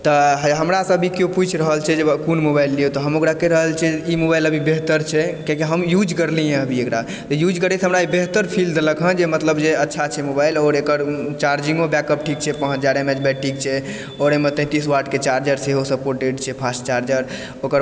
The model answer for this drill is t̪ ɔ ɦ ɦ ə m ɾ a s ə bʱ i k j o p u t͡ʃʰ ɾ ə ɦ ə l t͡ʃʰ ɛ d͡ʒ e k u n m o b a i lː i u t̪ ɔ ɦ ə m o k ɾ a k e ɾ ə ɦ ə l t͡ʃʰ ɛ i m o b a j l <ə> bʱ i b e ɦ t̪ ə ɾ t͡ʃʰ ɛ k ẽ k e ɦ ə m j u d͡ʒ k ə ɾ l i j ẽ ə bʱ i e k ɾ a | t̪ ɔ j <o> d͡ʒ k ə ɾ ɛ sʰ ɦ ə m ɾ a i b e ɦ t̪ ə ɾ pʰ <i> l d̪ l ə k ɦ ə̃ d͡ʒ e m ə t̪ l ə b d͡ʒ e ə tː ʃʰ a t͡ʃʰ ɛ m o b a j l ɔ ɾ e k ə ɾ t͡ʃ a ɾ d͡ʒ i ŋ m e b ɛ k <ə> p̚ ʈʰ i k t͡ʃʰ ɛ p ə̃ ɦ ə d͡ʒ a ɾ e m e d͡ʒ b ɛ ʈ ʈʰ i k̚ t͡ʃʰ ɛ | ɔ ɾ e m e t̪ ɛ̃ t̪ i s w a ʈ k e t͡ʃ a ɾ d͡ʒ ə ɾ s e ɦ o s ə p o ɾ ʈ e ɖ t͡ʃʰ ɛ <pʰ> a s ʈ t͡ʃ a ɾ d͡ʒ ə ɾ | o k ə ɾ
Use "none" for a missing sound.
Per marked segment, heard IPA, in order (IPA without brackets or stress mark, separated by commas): ə, u, i, ə, pʰ